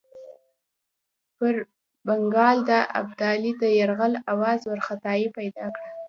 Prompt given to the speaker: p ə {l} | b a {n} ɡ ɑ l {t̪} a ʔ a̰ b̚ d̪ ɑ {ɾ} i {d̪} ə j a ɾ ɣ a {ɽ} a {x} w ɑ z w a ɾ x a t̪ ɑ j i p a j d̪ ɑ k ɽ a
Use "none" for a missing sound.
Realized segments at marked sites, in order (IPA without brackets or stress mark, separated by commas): ɾ, ŋ, d̪, l, d̪, l, none